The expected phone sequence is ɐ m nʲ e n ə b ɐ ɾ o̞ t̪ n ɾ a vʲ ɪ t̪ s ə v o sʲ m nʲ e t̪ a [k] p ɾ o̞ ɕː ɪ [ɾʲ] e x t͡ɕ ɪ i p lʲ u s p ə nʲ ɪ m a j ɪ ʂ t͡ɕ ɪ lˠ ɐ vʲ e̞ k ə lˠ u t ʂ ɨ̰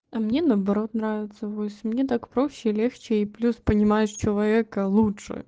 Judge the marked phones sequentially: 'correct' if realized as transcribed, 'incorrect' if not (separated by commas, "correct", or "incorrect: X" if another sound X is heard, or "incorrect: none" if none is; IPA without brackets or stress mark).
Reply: correct, incorrect: lʲ